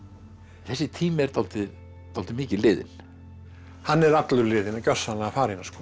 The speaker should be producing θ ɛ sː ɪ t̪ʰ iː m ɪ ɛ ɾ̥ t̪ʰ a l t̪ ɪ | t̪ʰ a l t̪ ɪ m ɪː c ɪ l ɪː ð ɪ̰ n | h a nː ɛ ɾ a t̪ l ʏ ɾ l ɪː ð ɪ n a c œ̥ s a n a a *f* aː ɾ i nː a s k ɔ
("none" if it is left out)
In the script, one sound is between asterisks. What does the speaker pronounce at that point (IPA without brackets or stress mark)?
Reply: f